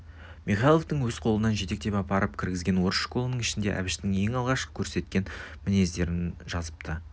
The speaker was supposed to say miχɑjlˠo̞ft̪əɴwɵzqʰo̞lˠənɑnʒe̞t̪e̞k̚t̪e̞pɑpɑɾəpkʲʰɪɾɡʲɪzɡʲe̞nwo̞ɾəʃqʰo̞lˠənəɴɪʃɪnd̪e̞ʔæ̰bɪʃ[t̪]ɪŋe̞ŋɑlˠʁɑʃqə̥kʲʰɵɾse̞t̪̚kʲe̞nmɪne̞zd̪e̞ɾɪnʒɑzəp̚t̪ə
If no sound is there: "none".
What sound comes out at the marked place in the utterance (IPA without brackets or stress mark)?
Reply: t̪